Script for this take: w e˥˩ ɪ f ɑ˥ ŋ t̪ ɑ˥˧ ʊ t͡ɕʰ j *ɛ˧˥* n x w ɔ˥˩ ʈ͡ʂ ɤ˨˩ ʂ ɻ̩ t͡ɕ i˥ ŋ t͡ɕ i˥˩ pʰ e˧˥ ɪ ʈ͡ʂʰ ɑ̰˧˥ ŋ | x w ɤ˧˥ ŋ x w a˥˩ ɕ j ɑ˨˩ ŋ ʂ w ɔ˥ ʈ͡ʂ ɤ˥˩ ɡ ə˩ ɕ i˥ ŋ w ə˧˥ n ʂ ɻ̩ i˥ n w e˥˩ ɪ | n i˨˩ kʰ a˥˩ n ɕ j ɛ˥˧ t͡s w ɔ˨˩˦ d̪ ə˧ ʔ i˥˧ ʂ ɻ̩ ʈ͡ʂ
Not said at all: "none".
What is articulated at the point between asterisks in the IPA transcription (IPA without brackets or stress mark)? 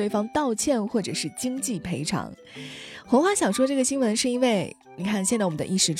ɛ˥˧